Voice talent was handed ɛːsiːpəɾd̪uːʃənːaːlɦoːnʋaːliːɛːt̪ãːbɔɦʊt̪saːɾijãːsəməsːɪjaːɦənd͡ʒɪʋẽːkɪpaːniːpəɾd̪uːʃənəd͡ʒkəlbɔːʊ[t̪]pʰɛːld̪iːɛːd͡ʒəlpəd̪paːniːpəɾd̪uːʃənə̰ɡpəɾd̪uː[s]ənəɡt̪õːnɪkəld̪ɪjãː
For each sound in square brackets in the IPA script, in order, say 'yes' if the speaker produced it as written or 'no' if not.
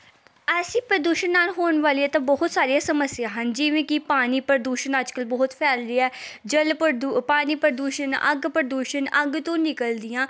yes, no

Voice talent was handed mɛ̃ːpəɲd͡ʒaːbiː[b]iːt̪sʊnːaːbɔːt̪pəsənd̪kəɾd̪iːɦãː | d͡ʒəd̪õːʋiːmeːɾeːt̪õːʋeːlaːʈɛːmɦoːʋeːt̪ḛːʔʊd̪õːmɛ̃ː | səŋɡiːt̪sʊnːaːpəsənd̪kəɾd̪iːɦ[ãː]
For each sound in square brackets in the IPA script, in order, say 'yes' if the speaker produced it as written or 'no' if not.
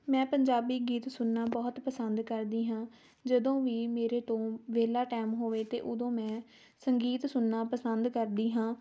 no, yes

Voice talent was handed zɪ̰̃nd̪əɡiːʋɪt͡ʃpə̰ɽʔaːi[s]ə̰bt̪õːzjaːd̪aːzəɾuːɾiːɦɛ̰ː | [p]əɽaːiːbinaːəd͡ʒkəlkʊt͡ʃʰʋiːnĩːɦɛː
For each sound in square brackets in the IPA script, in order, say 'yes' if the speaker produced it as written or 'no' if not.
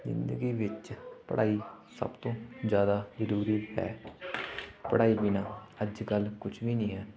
yes, yes

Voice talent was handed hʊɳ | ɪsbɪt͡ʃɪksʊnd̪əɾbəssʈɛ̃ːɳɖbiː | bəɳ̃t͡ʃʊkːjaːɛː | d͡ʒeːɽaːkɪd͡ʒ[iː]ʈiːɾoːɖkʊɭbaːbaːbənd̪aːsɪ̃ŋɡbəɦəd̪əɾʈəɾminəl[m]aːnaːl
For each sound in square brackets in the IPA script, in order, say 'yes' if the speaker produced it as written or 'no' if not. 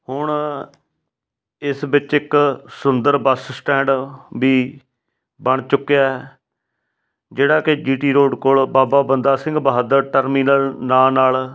yes, no

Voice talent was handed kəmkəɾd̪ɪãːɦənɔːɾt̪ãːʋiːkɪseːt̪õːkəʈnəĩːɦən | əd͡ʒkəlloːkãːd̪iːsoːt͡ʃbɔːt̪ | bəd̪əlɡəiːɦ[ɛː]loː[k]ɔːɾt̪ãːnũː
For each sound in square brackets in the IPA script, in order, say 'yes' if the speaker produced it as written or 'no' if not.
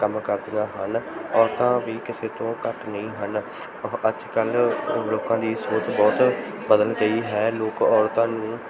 yes, yes

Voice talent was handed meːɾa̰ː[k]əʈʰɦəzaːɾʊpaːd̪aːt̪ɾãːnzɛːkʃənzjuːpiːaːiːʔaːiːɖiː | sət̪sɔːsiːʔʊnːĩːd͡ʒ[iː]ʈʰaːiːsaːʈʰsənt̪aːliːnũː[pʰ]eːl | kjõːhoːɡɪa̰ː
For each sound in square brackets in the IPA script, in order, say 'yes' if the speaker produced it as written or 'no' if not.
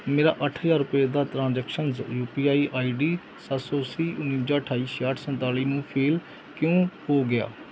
no, no, yes

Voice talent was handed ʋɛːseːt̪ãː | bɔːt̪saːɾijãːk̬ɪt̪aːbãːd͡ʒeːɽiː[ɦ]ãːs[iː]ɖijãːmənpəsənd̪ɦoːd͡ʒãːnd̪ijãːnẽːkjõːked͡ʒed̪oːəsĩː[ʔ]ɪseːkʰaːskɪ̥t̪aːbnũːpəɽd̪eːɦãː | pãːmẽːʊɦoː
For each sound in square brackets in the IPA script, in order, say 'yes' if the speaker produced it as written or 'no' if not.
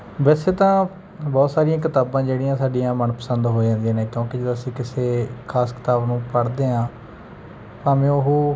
no, no, no

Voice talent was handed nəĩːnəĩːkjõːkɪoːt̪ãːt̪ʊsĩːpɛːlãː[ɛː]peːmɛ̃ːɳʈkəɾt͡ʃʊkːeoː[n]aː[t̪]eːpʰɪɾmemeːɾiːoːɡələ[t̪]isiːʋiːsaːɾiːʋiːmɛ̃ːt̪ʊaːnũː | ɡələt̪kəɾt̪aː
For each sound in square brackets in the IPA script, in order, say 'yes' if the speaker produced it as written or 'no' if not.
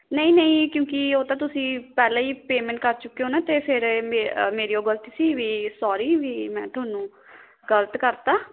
no, yes, yes, yes

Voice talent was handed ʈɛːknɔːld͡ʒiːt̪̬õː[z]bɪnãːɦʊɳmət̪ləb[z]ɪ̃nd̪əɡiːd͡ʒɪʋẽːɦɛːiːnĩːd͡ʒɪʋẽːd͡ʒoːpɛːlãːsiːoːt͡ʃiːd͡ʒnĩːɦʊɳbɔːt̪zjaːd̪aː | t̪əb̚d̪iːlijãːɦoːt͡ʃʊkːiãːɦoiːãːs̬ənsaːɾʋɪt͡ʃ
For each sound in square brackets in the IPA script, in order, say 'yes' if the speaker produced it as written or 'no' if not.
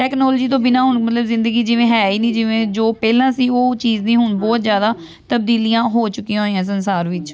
no, yes

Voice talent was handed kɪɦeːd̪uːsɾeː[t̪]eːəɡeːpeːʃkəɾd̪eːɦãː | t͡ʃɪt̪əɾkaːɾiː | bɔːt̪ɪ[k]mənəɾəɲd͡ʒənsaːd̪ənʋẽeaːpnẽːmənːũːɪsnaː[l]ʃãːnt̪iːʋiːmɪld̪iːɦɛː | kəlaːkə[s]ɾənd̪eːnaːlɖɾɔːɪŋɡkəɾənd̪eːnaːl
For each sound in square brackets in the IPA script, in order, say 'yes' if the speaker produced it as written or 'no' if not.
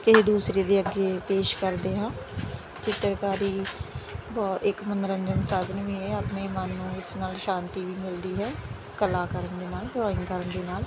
no, yes, yes, no

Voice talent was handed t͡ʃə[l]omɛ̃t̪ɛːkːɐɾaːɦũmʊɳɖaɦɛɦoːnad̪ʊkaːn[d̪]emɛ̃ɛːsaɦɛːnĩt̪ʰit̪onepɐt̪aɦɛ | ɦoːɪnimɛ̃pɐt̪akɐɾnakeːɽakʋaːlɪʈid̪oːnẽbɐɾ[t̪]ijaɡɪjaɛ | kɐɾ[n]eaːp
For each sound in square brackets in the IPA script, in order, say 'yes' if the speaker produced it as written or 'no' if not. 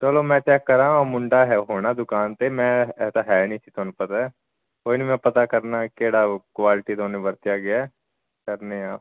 yes, no, yes, yes

